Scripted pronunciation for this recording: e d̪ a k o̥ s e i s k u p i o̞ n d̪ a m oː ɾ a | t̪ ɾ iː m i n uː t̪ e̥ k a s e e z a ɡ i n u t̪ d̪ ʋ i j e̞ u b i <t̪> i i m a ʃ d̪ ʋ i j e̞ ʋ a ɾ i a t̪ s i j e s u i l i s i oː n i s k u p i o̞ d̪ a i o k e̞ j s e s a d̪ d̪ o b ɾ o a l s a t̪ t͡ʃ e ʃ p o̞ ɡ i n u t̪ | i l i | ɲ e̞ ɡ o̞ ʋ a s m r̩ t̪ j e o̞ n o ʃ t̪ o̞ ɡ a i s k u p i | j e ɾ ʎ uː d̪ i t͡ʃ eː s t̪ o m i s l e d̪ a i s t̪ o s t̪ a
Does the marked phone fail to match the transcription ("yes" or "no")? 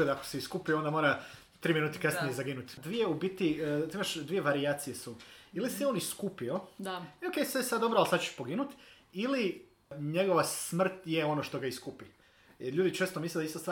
no